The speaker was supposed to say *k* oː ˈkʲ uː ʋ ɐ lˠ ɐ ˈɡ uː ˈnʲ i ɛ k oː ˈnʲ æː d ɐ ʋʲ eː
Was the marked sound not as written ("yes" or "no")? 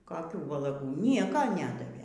no